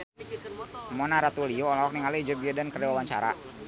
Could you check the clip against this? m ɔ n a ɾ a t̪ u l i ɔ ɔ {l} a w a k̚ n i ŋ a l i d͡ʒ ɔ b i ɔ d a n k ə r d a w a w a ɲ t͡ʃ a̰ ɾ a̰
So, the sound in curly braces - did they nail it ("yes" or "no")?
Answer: yes